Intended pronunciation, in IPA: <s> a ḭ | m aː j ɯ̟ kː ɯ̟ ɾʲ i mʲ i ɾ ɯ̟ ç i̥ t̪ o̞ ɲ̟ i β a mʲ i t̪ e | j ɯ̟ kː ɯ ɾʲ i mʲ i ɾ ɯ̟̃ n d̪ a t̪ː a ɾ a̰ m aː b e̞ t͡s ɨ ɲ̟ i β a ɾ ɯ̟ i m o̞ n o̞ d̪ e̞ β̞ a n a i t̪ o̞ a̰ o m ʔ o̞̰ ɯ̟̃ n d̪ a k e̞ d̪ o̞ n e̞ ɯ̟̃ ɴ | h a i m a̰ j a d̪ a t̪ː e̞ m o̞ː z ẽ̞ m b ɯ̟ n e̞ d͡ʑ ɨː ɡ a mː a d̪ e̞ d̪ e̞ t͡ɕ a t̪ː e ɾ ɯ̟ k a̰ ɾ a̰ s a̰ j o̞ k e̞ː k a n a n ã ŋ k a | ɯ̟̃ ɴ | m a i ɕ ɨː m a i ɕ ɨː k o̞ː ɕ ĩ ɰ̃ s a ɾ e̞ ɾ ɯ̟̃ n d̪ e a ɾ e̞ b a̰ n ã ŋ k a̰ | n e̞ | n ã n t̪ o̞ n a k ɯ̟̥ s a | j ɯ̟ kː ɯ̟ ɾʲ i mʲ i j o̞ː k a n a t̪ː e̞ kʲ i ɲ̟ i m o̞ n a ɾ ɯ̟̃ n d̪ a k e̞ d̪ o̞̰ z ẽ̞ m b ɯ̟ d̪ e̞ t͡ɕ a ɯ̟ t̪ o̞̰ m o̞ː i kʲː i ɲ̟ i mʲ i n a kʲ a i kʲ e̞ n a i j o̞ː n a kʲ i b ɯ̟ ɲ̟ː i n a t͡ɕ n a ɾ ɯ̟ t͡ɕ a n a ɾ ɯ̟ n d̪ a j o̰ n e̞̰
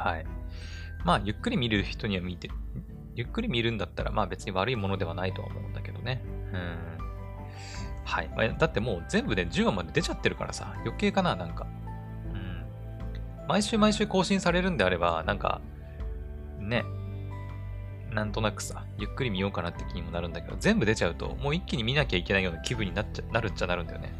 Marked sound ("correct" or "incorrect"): incorrect